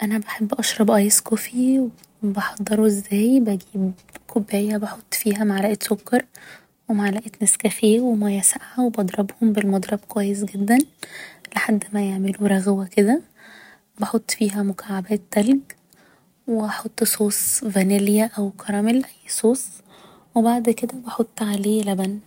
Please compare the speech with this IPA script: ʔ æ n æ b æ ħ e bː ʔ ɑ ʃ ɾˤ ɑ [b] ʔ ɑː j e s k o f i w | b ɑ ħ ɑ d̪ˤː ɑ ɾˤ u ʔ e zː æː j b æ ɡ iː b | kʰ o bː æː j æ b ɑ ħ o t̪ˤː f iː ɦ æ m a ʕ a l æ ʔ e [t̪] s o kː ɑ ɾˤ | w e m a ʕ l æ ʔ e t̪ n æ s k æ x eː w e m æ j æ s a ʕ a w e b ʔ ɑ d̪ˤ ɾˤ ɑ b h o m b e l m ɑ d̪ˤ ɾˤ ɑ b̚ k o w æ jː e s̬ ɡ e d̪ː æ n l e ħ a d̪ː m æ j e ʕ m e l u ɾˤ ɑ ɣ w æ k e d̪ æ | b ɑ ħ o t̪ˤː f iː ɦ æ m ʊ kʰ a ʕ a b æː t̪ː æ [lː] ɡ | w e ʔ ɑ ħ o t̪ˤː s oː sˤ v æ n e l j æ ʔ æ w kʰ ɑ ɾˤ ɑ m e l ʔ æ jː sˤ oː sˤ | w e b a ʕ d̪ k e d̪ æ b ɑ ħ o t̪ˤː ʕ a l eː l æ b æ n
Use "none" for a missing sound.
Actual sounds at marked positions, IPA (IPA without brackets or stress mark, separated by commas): b, t̪, l